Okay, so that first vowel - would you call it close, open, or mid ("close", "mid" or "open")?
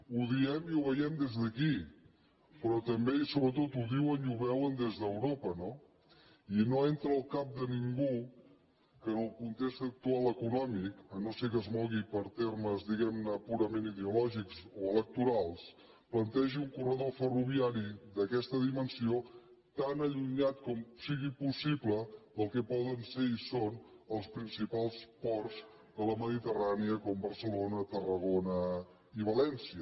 close